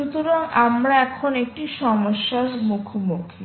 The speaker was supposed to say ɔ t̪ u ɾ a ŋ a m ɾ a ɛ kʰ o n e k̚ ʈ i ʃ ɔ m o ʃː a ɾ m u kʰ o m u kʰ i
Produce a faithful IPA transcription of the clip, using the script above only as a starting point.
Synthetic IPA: u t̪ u ɾ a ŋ a m ɾ a ɛ kʰ o n e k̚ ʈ i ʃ ɔ m o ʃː a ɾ m u kʰ o m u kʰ i